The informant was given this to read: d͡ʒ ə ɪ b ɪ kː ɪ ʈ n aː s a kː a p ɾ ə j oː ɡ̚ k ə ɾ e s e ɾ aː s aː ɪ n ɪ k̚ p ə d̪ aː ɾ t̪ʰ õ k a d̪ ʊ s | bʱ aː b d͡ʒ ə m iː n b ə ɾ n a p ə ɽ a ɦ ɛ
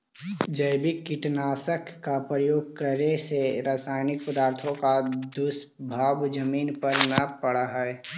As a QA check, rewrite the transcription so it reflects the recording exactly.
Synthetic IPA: d͡ʒ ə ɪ b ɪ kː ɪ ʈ n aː s ə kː a p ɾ ə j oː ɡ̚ k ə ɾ e s e ɾ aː s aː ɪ n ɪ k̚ p ə d̪ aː ɾ t̪ʰ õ k a d̪ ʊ s | bʱ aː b d͡ʒ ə m iː n p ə ɾ n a p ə ɽ a ɦ ɛ